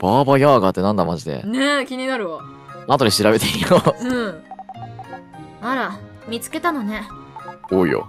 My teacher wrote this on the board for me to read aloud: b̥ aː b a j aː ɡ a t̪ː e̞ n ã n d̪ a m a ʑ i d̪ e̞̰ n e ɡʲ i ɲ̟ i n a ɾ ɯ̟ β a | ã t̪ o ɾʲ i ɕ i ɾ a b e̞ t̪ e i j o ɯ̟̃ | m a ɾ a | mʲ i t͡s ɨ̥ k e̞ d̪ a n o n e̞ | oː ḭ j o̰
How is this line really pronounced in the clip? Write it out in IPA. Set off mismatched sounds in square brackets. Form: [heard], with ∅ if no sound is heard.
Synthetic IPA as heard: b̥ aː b a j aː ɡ a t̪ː e̞ n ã n d̪ a m a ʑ i d̪ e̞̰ n e [kʲ] i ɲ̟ i n a ɾ ɯ̟ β a | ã t̪ o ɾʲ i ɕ i ɾ a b e̞ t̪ e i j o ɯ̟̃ | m a ɾ a | mʲ i t͡s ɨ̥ k e̞ [t̪] a n o n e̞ | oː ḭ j o̰

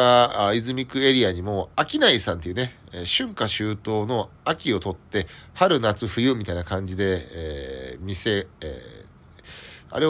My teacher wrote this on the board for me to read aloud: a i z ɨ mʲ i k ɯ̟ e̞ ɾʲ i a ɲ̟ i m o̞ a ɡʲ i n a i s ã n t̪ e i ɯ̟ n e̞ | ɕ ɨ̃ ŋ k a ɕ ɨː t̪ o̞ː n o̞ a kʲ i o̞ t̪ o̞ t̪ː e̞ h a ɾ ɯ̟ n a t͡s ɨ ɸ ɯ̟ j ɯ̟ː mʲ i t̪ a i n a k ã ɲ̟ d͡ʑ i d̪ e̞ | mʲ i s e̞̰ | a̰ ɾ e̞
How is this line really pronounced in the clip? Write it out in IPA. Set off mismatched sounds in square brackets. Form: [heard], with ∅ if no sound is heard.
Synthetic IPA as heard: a i z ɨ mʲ i k ɯ̟ e̞ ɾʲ i a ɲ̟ i m o̞ a [kʲ] i n a i s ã n t̪ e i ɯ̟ n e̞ | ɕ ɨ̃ ŋ k a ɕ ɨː t̪ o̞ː n o̞ a kʲ i o̞ t̪ o̞ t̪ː e̞ h a ɾ ɯ̟ n a t͡s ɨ ɸ ɯ̟ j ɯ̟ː mʲ i t̪ a i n a k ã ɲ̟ d͡ʑ i d̪ e̞ | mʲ i s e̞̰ | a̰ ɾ e̞

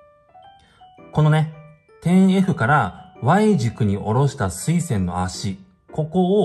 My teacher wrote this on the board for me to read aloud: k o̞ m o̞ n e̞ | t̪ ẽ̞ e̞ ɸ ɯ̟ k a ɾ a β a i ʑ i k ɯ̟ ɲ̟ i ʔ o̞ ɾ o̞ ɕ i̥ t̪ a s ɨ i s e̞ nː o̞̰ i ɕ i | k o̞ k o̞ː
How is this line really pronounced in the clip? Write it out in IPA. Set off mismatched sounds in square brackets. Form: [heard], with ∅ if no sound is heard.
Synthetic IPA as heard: k o̞ [n] o̞ n e̞ | t̪ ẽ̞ e̞ ɸ ɯ̟ k a ɾ a β a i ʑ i k ɯ̟ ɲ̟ i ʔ o̞ ɾ o̞ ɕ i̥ t̪ a s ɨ i s [ẽ̞] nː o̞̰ [a] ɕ i | k o̞ k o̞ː

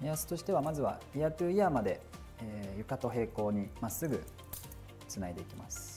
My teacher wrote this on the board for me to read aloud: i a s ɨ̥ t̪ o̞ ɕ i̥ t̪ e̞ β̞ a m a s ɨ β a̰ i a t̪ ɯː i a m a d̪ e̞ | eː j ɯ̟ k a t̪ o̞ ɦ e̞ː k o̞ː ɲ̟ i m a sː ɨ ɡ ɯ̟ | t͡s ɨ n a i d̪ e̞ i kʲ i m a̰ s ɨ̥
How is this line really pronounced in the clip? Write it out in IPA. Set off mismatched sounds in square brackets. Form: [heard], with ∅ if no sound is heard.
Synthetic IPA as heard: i a s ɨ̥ t̪ o̞ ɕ i̥ t̪ e̞ β̞ a m a [z] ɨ β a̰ i a t̪ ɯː i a m a d̪ e̞ | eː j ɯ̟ k a t̪ o̞ ɦ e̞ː k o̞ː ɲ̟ i m a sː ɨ ɡ ɯ̟ | t͡s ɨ n a i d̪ e̞ i kʲ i m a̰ s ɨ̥

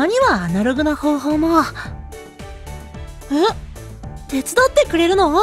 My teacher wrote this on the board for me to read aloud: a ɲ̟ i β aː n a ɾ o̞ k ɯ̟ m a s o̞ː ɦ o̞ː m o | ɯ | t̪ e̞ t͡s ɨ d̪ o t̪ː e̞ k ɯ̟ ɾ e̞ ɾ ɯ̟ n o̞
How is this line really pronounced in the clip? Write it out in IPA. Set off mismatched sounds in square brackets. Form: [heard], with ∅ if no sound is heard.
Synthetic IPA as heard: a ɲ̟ i β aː n a ɾ o̞ [ɡ] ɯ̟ [n] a [h] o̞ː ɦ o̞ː m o | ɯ | t̪ e̞ t͡s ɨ d̪ o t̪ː e̞ k ɯ̟ ɾ e̞ ɾ ɯ̟ n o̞

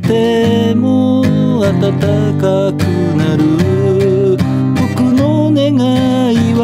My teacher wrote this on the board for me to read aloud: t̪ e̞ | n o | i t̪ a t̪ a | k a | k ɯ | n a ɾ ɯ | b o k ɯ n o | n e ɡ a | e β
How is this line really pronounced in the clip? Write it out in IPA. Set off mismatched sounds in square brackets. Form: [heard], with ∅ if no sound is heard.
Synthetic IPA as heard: t̪ e̞ | [m] o | [a] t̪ a t̪ a | k a | k ɯ | n a ɾ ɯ | b o k ɯ n o | n e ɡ a | [i] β

